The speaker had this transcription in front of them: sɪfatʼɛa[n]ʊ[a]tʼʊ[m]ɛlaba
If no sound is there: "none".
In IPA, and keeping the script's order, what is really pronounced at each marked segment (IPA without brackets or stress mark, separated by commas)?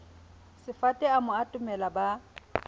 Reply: m, a, m